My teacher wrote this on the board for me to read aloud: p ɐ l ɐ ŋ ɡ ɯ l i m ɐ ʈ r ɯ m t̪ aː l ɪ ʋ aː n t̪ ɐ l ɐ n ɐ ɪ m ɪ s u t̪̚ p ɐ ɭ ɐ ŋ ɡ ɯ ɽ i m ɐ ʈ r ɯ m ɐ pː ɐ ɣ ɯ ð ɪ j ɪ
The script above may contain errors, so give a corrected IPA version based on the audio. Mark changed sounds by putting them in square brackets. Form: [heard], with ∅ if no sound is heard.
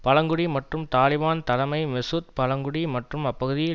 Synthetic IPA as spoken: p ɐ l ɐ ŋ ɡ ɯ [ɽ] i m ɐ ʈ r ɯ m t̪ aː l ɪ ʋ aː n t̪ ɐ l ɐ [m] ɐ ɪ m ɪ s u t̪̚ p ɐ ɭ ɐ ŋ ɡ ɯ ɽ i m ɐ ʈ r ɯ m ɐ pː ɐ ɣ ɯ ð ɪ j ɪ